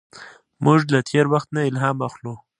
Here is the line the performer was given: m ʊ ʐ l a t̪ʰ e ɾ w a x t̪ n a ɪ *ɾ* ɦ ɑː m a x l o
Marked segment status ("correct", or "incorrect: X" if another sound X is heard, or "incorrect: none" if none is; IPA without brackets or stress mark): incorrect: l